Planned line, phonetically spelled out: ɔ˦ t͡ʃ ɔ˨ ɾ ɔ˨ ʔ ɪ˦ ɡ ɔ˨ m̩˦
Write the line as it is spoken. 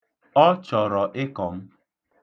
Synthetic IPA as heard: ɔ˦ t͡ʃ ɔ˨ ɾ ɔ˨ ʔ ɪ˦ k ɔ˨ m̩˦